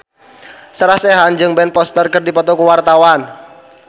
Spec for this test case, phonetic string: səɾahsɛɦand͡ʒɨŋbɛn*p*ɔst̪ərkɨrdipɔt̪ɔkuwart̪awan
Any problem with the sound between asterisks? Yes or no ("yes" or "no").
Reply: no